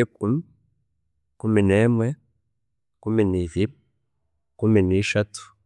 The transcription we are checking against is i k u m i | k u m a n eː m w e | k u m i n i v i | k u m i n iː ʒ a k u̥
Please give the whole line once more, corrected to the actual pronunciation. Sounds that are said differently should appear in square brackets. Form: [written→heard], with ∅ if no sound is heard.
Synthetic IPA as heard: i k u m i | k u m [a→i] n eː m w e | k u m i n i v i | k u m i n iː [ʒ→ʃ] a [k→t] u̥